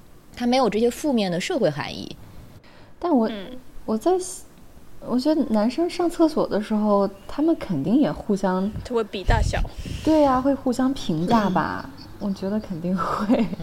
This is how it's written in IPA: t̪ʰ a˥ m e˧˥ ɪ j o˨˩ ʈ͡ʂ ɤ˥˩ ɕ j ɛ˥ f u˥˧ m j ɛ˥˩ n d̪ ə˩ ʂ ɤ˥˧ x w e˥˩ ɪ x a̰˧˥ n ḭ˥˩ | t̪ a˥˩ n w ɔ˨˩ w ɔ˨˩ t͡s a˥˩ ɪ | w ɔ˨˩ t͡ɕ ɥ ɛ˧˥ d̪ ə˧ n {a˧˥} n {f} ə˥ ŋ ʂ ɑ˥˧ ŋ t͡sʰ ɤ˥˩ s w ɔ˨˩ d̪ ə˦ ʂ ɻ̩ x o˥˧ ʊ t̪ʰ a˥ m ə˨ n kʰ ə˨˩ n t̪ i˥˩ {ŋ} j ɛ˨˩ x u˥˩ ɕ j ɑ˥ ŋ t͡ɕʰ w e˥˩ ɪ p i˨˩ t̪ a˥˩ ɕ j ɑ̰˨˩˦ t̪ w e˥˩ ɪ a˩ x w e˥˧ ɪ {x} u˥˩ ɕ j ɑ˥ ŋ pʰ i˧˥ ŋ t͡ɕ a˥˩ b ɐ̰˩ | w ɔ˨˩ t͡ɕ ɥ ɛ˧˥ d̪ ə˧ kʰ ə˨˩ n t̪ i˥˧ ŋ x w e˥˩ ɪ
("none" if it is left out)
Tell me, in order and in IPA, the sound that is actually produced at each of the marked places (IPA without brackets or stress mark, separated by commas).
a˧˥, ʂ, ŋ, x